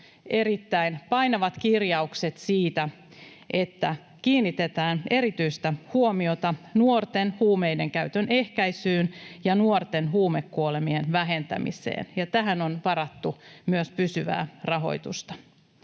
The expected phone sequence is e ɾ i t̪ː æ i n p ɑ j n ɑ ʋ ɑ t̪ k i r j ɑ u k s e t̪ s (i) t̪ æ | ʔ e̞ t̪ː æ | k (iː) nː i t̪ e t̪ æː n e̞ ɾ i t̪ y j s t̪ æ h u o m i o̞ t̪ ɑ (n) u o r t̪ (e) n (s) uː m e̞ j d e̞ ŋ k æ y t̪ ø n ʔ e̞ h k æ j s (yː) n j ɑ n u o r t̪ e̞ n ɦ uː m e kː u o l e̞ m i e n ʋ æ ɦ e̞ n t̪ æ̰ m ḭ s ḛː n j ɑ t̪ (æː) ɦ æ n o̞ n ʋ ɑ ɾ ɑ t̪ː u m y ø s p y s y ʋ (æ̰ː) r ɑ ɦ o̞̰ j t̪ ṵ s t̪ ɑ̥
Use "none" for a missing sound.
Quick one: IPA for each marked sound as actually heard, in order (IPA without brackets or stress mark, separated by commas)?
iː, iː, n, e, h, yː, æ, æ̰ː